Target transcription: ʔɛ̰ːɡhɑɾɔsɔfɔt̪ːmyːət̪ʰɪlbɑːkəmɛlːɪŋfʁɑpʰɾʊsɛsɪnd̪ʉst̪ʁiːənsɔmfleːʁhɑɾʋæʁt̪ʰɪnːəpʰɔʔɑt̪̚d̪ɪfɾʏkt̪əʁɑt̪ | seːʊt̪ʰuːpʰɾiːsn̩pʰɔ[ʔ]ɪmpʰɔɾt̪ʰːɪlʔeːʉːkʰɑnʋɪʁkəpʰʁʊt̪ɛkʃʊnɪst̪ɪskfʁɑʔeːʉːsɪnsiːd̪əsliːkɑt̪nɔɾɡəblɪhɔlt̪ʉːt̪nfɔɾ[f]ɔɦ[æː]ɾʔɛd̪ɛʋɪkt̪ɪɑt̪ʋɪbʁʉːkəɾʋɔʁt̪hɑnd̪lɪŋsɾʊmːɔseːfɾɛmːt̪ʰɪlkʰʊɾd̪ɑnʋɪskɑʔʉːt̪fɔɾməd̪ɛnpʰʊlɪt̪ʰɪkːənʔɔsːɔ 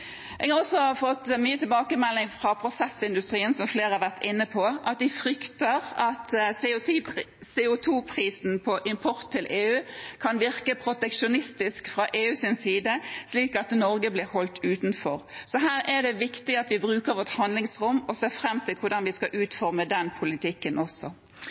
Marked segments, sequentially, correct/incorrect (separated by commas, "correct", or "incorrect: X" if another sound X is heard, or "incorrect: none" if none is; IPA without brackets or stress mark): correct, incorrect: s, correct